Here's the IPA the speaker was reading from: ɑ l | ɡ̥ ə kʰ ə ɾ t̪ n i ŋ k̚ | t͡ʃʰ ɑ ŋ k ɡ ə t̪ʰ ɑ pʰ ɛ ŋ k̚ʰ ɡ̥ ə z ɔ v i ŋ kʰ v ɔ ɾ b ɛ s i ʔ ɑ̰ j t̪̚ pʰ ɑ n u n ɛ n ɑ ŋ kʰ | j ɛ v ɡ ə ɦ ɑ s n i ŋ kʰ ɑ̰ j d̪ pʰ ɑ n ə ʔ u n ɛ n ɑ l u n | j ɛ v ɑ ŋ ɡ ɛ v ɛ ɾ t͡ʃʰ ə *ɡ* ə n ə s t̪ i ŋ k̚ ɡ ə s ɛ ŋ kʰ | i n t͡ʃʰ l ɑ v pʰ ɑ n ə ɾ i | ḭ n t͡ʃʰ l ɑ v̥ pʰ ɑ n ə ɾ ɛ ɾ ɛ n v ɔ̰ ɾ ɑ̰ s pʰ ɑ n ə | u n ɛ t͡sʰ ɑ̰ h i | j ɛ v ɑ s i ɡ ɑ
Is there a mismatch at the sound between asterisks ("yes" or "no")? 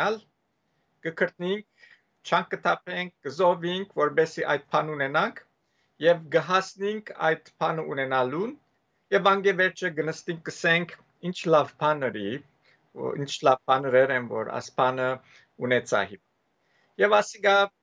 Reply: no